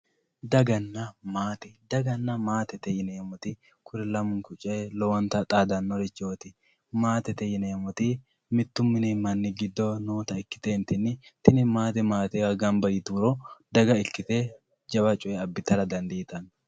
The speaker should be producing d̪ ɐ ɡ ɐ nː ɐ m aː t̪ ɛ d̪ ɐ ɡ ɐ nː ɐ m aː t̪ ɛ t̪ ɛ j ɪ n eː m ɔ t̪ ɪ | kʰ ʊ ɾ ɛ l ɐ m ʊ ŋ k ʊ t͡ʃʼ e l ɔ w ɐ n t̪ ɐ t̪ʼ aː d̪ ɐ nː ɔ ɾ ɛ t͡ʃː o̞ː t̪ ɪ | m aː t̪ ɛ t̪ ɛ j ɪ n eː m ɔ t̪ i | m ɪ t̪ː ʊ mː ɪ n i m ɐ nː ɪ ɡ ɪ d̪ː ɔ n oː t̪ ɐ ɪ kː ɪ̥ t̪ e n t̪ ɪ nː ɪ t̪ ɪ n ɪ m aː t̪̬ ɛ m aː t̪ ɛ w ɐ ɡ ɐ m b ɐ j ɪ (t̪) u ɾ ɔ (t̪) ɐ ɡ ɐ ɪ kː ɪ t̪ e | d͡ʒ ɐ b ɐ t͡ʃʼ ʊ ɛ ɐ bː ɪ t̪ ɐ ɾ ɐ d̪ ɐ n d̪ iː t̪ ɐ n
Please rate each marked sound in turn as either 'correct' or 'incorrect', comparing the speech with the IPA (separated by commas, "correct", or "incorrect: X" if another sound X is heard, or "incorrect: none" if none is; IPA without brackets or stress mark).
correct, incorrect: d̪